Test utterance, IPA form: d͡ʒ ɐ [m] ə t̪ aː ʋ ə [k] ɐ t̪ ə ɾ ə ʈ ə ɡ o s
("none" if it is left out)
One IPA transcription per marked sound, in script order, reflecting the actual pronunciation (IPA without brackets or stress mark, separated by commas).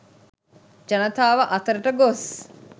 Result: n, ʔ